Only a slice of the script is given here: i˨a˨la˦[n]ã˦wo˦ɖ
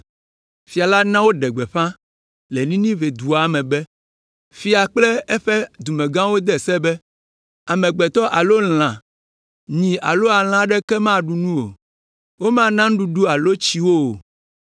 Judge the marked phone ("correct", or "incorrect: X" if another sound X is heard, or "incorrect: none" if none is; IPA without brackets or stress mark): correct